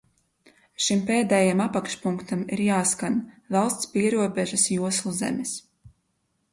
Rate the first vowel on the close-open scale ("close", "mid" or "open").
close